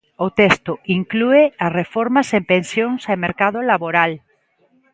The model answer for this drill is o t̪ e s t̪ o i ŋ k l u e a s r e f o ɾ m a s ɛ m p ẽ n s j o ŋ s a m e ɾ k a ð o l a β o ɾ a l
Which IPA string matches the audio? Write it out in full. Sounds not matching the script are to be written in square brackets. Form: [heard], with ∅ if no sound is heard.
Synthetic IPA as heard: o t̪ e s t̪ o i ŋ k l u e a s r e f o ɾ m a s [e] m p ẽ n s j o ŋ s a m e ɾ k a ð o l a β o ɾ a l